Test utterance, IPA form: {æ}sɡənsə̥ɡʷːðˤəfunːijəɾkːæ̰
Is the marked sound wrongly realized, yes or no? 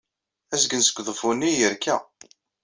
no